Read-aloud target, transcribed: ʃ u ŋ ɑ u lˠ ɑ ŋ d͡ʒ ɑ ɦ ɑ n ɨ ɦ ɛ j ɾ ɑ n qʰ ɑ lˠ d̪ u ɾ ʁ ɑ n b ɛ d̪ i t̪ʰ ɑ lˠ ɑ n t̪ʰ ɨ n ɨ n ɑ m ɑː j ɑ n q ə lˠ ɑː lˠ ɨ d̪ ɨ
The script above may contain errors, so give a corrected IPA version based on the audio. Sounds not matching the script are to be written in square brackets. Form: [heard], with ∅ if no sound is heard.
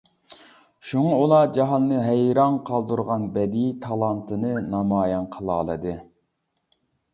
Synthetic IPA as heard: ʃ u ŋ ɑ u lˠ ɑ [∅] d͡ʒ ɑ ɦ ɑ [nː] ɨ ɦ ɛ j ɾ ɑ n qʰ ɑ lˠ d̪ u ɾ ʁ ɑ n b ɛ d̪ i t̪ʰ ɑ lˠ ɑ n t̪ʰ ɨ n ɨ n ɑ m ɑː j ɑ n [qʰ] ə lˠ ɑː lˠ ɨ d̪ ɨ

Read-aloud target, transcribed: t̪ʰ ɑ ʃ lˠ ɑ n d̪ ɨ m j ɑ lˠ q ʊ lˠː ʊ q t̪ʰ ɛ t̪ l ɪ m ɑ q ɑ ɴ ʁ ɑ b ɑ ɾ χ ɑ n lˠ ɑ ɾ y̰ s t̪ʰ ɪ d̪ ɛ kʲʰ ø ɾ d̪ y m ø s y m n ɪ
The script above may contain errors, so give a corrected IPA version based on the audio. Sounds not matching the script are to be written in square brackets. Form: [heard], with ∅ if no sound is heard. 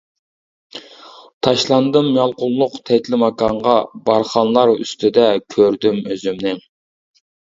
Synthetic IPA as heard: t̪ʰ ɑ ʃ lˠ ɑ n d̪ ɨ m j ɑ lˠ q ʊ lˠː ʊ q t̪ʰ ɛ t̪ l ɪ m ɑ [k] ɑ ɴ ʁ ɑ b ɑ ɾ χ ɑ n lˠ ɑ ɾ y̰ s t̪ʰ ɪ d̪ ɛ kʲʰ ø ɾ d̪ y m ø [z] y m n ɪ

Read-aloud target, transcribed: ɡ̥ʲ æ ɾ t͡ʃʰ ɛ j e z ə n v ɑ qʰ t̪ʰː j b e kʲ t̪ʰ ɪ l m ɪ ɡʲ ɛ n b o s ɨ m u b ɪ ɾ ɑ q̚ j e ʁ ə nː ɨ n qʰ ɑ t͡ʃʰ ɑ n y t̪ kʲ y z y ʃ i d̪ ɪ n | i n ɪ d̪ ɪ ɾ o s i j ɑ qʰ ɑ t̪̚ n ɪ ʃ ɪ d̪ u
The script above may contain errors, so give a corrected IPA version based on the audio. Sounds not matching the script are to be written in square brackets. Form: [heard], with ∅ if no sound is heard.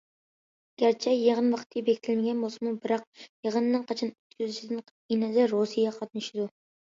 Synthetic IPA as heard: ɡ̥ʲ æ ɾ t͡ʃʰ ɛ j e [ʁ] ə n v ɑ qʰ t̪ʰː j b e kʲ t̪ʰ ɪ l m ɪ ɡʲ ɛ n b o s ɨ m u b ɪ ɾ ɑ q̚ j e ʁ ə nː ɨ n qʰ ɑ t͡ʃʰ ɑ n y t̪ kʲ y z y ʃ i d̪ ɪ n | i n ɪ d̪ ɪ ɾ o s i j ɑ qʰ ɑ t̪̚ n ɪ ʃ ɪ d̪ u

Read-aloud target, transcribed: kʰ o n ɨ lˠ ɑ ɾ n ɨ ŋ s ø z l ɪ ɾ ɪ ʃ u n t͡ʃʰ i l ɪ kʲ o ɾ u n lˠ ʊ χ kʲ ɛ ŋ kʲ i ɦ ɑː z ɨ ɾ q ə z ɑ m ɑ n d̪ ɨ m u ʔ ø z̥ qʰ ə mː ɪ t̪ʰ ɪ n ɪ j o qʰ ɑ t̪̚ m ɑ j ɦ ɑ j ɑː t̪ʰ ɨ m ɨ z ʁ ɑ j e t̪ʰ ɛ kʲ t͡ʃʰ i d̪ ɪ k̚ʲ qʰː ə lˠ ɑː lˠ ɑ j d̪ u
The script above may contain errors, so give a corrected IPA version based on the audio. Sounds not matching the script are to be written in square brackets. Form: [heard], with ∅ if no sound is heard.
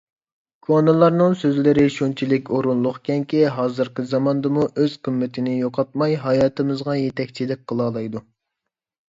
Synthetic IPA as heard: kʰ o n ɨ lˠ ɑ ɾ n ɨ ŋ s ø z l ɪ ɾ ɪ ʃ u n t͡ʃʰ i l ɪ kʲ o ɾ u n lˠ ʊ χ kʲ ɛ ŋ kʲ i ɦ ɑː z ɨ ɾ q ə z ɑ m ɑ n d̪ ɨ m u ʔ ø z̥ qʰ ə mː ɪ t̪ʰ ɪ n ɪ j o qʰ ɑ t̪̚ m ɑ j ɦ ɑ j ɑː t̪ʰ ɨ m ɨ z ʁ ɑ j e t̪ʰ ɛ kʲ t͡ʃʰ i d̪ ɪ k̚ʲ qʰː ə lˠ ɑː lˠ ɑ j d̪ u

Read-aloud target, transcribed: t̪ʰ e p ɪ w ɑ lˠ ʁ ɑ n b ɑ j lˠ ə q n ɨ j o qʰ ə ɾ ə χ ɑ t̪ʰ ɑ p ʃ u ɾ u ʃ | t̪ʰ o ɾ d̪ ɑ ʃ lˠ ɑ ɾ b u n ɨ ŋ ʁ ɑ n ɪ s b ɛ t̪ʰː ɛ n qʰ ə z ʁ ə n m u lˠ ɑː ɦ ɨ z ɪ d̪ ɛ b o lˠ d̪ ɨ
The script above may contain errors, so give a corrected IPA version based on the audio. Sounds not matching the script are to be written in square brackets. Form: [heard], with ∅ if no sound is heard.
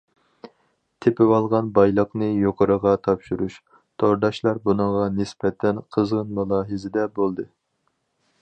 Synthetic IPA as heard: t̪ʰ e p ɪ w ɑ lˠ ʁ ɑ n b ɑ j lˠ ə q n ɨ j o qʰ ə ɾ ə [ʁ] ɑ t̪ʰ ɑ p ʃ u ɾ u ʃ | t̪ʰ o ɾ d̪ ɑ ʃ lˠ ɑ ɾ b u n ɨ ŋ ʁ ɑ n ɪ s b ɛ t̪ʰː ɛ n qʰ ə z ʁ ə n m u lˠ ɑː ɦ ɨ z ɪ d̪ ɛ b o lˠ d̪ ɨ

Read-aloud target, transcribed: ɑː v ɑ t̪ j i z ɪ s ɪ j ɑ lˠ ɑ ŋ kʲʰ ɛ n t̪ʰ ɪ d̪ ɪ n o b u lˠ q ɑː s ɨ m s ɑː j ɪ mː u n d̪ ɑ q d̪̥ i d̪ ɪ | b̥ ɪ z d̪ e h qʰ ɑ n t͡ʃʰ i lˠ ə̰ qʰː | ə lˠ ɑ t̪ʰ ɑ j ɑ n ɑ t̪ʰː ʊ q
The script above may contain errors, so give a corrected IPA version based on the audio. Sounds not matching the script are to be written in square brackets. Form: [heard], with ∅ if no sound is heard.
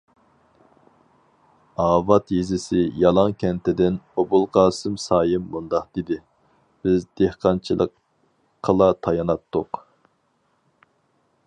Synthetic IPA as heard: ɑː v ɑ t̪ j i z ɪ s ɪ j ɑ lˠ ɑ ŋ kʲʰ ɛ n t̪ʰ ɪ d̪ ɪ n o b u lˠ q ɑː s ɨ m s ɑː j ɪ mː u n d̪ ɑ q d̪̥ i d̪ ɪ | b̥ ɪ z d̪ e h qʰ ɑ n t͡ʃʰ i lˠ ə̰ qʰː | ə lˠ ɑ t̪ʰ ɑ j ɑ n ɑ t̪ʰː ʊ q

